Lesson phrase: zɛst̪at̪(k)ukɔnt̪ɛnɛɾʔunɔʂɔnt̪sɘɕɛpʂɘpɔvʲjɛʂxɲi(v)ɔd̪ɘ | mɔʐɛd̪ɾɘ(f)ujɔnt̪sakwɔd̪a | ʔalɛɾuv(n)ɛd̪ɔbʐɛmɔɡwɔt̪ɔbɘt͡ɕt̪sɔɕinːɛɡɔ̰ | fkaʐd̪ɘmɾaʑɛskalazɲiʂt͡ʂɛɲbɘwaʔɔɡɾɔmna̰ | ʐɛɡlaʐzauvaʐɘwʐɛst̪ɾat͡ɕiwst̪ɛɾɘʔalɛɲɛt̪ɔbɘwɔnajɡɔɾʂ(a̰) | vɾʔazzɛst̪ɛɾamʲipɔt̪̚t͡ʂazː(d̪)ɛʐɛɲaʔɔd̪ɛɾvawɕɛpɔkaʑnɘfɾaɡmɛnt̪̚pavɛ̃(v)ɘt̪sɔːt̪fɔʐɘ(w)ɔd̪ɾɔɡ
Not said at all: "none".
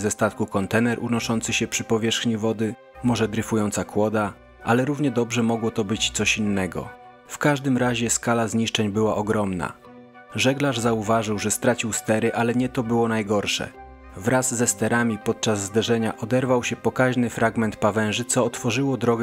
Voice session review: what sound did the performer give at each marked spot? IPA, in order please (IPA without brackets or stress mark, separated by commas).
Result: k, v, f, ɲ, ɛ̰, d̪, ʐ, w